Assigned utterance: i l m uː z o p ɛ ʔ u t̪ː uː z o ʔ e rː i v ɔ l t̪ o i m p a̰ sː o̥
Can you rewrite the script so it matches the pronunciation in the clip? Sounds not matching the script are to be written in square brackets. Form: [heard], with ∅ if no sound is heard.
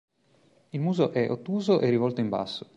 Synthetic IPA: i l m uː z o [ʔ] ɛ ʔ [o] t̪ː uː z o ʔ e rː i v ɔ l t̪ o i m [b] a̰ sː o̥